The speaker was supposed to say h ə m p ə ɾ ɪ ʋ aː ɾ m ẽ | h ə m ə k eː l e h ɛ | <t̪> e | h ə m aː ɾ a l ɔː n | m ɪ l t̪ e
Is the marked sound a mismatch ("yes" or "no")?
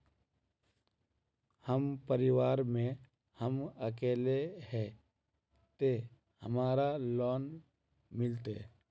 no